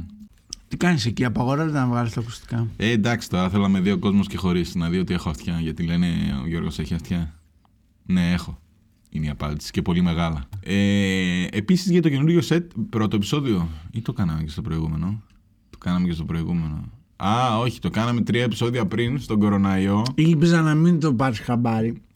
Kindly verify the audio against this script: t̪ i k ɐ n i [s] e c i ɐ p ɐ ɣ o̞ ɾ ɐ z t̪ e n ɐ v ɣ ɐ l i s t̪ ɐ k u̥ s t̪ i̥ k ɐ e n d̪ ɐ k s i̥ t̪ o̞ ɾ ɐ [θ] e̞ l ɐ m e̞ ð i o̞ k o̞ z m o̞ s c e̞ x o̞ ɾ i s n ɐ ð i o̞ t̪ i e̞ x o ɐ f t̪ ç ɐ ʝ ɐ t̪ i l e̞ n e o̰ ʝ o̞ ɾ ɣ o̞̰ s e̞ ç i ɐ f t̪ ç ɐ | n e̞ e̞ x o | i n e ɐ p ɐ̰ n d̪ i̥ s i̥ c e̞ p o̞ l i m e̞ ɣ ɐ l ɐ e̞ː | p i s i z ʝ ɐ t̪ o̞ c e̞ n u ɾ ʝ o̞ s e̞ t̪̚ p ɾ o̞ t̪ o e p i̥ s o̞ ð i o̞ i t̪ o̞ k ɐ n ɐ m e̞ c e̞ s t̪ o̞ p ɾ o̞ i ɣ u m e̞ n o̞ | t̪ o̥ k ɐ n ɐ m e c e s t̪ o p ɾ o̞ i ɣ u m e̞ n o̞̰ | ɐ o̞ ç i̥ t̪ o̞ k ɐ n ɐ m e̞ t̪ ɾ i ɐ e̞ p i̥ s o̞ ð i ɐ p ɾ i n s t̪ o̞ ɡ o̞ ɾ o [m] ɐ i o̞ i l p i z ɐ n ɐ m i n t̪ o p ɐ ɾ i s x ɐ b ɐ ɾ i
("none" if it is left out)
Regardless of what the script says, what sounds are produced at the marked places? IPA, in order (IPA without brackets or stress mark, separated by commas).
s, θ, n